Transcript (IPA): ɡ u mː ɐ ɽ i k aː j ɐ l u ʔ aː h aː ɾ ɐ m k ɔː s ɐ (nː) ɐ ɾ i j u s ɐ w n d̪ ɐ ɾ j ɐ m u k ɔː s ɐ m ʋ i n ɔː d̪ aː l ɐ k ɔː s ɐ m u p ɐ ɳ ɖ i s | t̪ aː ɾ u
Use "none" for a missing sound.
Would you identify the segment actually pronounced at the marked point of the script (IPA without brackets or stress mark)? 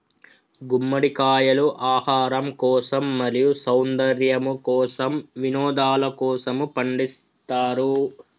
mː